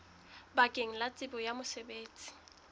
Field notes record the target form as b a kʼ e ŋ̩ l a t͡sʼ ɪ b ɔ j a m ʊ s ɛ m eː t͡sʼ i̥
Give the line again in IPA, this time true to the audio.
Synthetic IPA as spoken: b a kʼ e ŋ̩ l a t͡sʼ ɪ b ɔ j a m ʊ s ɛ b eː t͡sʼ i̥